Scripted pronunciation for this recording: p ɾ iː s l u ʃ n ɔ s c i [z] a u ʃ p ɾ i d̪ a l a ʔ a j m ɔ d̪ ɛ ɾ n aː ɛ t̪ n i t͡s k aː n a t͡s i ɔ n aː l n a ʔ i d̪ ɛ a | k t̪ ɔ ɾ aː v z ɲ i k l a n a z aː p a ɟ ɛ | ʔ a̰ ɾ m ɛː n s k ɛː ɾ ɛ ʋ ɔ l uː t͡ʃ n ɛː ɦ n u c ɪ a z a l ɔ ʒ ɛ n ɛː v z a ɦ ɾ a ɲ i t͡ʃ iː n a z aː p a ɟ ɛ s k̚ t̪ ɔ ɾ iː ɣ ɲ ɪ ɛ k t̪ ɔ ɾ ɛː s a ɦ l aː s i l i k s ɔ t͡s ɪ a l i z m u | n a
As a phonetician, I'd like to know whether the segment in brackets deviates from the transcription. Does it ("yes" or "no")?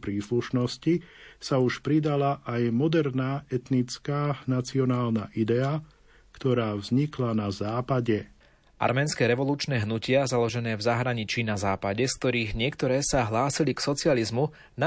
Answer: yes